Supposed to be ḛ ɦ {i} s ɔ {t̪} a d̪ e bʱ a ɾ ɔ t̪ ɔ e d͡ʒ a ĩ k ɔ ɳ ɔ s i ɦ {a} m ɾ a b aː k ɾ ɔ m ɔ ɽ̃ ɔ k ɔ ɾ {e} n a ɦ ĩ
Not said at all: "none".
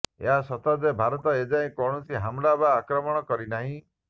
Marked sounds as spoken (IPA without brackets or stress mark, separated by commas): a, t̪, a, i